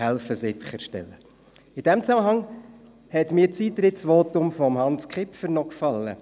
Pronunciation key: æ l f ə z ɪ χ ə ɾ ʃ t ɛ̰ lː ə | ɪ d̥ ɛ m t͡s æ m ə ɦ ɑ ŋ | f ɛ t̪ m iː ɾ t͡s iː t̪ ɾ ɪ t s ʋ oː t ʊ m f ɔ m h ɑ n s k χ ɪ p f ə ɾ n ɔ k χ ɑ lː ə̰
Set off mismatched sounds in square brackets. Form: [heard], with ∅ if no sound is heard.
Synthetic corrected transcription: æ l f ə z ɪ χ ə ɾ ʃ t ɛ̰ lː ə | ɪ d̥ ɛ m t͡s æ m ə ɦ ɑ ŋ | [h] ɛ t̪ m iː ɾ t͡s iː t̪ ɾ ɪ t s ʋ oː t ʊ m f ɔ m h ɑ n s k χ ɪ p f ə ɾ n ɔ k [f] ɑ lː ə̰